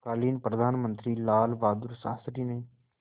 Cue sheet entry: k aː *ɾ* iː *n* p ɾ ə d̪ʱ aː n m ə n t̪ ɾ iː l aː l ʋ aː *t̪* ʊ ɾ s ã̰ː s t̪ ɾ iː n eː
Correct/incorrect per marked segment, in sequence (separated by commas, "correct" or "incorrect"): incorrect, correct, incorrect